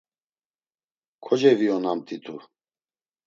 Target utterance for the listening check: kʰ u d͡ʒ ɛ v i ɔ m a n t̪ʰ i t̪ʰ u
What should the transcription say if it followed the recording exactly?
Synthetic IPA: kʰ ɔ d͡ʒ ɛ v i ɔ n a m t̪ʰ i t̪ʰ u

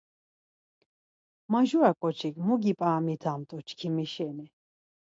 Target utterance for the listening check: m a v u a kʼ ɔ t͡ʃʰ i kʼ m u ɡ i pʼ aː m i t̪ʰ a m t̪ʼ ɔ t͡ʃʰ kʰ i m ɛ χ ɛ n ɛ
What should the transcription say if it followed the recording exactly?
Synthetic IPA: m a ʒ u a kʼ ɔ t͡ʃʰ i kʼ m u ɡ i pʼ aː m i t̪ʰ a m t̪ʼ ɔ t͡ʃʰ kʰ i m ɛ ʃ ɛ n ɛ

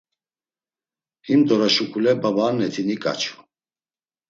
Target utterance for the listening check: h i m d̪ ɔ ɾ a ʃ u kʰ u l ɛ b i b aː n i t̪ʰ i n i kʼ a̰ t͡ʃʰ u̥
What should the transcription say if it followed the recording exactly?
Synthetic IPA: h i m d̪ ɔ ɾ a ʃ u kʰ u l ɛ b a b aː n ɛ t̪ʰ i n i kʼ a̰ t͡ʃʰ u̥

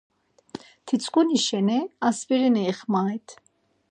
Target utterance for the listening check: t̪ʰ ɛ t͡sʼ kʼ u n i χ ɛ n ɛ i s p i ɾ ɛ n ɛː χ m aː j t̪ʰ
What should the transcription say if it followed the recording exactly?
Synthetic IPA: t̪ʰ i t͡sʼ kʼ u n i ʃ ɛ n ɛ a s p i ɾ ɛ n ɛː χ m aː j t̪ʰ

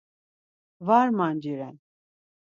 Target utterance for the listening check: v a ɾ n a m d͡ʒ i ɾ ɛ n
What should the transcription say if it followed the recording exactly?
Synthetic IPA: v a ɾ m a n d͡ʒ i ɾ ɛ n

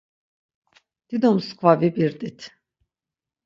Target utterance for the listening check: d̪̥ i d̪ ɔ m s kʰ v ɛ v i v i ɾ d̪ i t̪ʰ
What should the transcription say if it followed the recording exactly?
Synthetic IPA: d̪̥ i d̪ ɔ m s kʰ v a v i b i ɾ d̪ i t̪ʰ

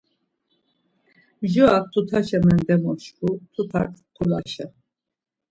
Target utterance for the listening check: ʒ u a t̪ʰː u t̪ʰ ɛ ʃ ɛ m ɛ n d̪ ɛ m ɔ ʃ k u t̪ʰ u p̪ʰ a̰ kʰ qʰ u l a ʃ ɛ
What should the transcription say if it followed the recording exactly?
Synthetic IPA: ʒ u a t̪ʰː u t̪ʰ a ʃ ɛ m ɛ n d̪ ɛ m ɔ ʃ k u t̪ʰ u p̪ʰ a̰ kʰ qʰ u l a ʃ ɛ

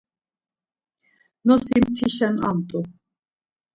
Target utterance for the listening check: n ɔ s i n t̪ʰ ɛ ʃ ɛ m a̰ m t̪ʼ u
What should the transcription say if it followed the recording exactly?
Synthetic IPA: n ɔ s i m t̪ʰ i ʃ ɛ n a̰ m t̪ʼ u

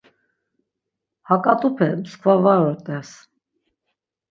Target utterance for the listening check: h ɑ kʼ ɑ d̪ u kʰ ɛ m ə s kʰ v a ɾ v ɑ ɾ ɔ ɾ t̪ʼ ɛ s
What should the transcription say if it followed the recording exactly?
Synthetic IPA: h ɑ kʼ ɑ t̪ u pʰ ɛ m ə s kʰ v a v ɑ ɾ ɔ ɾ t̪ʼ ɛ s

